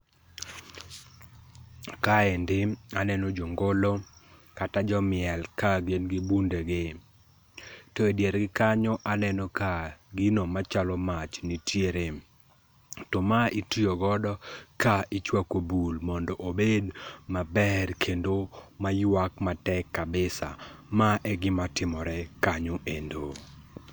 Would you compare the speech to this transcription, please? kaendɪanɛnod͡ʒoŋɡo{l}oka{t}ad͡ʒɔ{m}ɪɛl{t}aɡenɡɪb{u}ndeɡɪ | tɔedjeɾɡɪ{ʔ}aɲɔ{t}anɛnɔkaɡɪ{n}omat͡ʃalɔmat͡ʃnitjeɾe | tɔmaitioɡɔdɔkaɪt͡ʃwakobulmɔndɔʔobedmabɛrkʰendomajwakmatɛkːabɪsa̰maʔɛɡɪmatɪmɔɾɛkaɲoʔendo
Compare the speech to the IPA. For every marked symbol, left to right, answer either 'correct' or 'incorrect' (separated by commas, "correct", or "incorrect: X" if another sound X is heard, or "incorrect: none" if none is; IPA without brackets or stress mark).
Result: correct, correct, correct, incorrect: k, correct, incorrect: k, incorrect: ʔ, correct